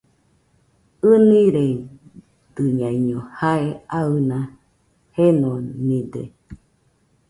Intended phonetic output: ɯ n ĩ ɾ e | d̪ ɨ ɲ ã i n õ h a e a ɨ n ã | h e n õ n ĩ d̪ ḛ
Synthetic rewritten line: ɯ n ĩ ɾ e | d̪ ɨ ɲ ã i ɲ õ h a e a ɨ n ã | h e n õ n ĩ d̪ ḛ